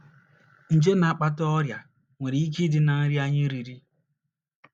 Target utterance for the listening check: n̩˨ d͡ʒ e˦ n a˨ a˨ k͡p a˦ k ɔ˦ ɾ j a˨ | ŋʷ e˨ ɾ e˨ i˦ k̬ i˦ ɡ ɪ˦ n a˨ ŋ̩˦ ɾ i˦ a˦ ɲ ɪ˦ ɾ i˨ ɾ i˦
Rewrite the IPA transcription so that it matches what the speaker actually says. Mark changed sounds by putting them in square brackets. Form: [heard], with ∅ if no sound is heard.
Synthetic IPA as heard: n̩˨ d͡ʒ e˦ n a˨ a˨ k͡p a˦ [t] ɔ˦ ɾ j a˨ | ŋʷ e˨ ɾ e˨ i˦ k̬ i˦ [d] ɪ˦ n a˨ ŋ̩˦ ɾ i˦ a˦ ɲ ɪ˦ ɾ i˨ ɾ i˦

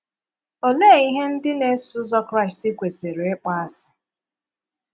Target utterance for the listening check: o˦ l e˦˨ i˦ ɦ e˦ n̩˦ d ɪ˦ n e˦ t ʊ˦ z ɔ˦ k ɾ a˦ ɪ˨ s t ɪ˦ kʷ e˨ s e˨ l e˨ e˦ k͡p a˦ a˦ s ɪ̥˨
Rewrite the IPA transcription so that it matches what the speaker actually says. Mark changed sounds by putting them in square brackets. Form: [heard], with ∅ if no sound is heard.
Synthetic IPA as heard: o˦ l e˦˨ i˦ ɦ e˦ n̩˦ d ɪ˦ n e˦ [s] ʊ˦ z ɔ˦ k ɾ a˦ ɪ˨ s t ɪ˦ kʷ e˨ s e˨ [ɾ] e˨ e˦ k͡p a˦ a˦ s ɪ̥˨

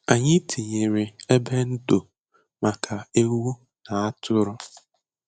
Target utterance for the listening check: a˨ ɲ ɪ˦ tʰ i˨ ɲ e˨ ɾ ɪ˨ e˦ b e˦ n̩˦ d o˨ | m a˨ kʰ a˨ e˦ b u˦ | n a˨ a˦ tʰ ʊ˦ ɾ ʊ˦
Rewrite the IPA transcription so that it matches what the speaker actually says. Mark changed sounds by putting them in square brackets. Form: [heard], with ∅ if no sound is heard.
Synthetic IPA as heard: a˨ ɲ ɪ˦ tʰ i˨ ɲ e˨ ɾ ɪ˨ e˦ b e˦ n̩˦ d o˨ | m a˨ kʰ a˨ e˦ [w] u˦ | n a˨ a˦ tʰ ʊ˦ ɾ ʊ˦

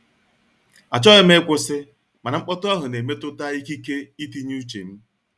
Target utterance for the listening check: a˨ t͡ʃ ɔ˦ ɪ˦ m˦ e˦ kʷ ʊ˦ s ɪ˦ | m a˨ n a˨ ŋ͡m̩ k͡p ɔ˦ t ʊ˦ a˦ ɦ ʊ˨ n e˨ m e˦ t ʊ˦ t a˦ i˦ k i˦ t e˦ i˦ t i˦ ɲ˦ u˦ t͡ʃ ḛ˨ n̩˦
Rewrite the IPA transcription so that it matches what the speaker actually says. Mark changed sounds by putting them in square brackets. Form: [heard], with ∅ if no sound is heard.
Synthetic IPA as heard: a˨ t͡ʃ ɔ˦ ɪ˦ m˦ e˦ kʷ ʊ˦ s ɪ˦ | m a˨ n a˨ ŋ͡m̩ k͡p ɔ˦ t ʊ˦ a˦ ɦ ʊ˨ n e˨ m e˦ t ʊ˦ t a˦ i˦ k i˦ [k] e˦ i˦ t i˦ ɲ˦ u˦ t͡ʃ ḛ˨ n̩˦

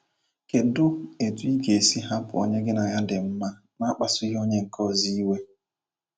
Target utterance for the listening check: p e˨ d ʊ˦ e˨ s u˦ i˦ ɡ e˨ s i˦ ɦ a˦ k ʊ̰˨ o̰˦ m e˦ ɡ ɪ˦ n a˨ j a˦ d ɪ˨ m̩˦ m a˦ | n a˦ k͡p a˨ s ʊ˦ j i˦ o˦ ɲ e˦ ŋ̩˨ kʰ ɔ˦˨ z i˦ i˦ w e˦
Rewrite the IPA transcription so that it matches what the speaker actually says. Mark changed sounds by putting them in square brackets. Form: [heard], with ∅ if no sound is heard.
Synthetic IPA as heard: [k] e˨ d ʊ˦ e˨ [t] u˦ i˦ ɡ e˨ s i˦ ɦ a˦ [p] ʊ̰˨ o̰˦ [ɲ] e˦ ɡ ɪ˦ n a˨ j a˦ d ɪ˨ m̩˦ m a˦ | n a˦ k͡p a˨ s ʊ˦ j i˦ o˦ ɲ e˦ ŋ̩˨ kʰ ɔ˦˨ z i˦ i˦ w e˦

